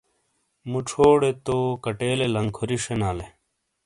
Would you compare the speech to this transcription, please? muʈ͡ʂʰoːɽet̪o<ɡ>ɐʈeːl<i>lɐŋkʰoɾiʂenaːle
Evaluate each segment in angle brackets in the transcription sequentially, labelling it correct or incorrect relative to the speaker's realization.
incorrect: k, incorrect: e

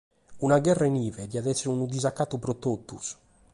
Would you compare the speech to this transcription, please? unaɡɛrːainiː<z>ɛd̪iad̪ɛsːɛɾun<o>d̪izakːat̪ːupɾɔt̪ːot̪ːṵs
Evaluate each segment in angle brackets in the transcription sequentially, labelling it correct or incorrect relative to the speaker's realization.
incorrect: v, incorrect: u

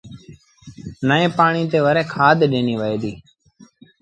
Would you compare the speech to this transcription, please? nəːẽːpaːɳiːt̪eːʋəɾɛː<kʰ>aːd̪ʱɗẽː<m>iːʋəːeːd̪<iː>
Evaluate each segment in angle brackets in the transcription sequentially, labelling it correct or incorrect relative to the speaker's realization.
correct, incorrect: n, correct

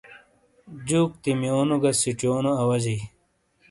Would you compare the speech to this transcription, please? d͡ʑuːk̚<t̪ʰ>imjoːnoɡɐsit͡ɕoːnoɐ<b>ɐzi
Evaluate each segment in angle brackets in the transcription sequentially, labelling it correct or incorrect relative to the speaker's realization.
incorrect: t̪, incorrect: w

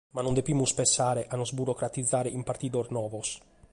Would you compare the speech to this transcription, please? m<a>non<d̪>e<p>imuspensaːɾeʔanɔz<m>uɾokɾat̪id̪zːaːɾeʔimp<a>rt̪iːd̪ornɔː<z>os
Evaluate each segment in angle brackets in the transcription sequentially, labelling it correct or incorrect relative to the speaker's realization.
correct, correct, correct, incorrect: b, correct, incorrect: v

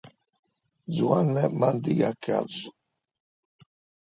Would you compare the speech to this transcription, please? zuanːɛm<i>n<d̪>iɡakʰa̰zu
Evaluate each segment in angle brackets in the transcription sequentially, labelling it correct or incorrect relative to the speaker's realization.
incorrect: a, correct

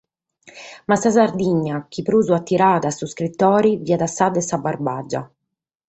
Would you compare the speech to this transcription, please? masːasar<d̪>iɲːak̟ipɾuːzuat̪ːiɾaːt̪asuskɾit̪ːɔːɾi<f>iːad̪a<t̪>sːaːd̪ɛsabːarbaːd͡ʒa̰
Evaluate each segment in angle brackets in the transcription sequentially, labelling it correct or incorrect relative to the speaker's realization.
correct, incorrect: v, incorrect: none

